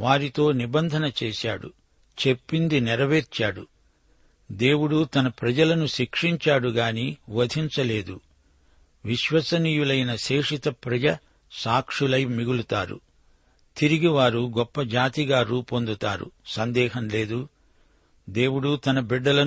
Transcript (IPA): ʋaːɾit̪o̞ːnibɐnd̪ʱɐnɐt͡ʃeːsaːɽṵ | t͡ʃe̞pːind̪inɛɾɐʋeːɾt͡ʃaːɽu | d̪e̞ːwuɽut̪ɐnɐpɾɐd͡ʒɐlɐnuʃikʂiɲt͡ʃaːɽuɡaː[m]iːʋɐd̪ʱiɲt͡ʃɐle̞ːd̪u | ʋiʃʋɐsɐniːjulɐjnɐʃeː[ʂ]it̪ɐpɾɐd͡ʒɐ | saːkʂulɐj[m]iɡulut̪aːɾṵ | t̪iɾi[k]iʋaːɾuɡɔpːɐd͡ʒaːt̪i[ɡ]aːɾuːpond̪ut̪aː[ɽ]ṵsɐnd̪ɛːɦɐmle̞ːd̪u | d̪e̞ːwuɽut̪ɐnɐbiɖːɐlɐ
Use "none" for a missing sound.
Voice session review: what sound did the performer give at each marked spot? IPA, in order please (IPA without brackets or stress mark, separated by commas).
n, ʂ, m, ɡ, ɡ, ɾ